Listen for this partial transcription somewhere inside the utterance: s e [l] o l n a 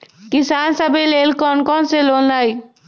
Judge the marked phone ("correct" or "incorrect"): correct